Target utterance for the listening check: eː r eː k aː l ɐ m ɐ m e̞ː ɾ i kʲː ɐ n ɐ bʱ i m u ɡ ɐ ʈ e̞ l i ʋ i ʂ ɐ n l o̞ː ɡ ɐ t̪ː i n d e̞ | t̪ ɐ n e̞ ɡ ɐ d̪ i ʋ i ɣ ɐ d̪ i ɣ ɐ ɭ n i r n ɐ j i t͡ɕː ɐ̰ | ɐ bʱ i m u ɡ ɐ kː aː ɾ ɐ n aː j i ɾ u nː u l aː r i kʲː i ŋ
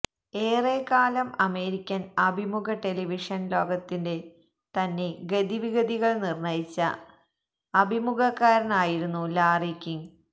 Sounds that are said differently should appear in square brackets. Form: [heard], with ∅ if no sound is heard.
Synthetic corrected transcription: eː r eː k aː l ɐ m ɐ m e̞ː ɾ i kʲː ɐ n ɐ bʱ i m u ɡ ɐ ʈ e̞ l i ʋ i ʂ ɐ n l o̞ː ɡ ɐ t̪ː i n d e̞ | t̪ ɐ [nː] e̞ ɡ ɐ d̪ i ʋ i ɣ ɐ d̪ i ɣ ɐ ɭ n i r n ɐ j i t͡ɕː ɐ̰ | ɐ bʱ i m u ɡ ɐ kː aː ɾ ɐ n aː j i ɾ u nː u l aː r i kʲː i ŋ